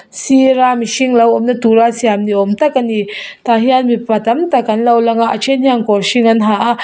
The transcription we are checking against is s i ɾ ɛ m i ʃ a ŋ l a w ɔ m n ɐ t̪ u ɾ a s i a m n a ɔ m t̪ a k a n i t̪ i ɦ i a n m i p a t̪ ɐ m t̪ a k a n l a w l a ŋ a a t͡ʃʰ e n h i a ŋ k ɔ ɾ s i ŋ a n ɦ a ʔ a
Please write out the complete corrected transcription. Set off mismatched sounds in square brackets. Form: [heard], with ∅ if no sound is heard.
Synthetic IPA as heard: s i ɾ [a] m i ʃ [i] ŋ l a w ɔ m n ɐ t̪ u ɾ a s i a m n [i] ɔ m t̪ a k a n i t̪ [a] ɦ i a n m i p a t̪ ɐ m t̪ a k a n l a w l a ŋ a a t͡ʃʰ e n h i a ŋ k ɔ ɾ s i ŋ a n ɦ a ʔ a

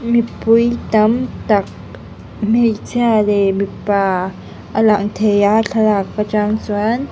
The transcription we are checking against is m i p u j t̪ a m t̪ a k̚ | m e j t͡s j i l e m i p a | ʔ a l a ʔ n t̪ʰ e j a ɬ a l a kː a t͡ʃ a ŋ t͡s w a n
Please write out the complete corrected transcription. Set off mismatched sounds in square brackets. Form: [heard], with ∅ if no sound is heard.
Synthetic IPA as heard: m i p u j t̪ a m t̪ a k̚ | m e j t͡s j [a] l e m i p a | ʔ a l a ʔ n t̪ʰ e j a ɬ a l a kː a t͡ʃ a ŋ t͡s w a n

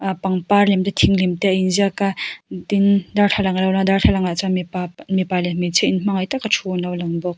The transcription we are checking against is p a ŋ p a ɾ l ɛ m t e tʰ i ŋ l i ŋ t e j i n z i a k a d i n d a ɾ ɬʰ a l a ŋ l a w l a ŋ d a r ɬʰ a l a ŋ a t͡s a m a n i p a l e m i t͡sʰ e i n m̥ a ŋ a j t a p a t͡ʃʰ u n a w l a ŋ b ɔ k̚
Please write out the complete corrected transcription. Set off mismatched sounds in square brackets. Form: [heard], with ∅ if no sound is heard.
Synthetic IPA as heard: p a ŋ p a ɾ l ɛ m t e tʰ i ŋ l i [m] t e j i n z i a k a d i n d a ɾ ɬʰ a l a ŋ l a w l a ŋ d a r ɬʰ a l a ŋ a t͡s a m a [m] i p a l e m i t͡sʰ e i n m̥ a ŋ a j t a [k] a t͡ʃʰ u n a w l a ŋ b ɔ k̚

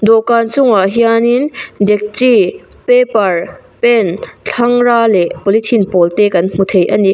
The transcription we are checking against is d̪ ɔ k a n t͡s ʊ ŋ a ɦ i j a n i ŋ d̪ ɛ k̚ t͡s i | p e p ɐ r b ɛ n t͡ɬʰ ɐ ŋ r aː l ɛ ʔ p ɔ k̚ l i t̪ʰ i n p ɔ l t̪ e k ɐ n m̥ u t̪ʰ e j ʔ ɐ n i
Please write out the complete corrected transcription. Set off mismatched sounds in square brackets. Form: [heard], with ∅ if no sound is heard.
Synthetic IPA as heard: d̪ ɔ k a n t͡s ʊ ŋ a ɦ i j a n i [n] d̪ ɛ k̚ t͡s i | p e p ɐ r [p] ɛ n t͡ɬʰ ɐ ŋ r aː l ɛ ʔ p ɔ [∅] l i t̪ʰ i n p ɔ l t̪ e k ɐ n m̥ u t̪ʰ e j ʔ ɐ n i

